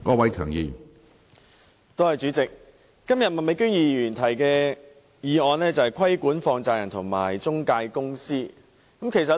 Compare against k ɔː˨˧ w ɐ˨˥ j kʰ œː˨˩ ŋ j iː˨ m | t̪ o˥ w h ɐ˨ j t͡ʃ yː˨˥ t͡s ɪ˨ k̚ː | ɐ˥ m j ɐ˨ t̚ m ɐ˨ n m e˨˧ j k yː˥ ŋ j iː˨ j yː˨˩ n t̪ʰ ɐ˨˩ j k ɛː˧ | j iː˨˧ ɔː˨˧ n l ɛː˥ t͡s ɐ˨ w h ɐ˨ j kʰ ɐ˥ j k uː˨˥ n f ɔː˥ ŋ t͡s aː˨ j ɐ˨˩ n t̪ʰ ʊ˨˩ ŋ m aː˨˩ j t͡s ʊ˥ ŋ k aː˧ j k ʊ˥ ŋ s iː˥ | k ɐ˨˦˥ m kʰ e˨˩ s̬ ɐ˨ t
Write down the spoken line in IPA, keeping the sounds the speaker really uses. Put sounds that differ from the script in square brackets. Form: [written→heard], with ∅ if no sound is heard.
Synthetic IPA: k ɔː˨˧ w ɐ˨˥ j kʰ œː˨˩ ŋ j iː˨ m | t̪ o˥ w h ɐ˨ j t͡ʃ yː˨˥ t͡s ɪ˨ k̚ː | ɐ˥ m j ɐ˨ t̚ m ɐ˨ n m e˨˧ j k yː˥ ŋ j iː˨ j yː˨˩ n t̪ʰ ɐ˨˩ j k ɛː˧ | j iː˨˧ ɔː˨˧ n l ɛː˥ t͡s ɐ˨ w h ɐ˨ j kʰ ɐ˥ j k uː˨˥ n f [ɔː˥→ɔː˧] ŋ t͡s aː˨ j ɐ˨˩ n t̪ʰ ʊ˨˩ ŋ m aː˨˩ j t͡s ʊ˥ ŋ k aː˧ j k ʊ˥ ŋ s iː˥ | k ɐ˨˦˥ m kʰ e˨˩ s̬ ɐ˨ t